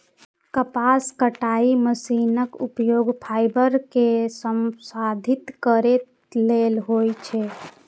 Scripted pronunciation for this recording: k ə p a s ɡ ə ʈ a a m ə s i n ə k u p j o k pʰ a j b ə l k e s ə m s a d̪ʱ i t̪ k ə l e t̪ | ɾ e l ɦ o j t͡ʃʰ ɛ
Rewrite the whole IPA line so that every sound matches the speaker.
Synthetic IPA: k ə p a s k ə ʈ a i m ə s i n ə k u p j o ɡ pʰ a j b ə ɾ k e s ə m s a d̪ʱ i t̪ k ə ɾ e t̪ | l e l ɦ o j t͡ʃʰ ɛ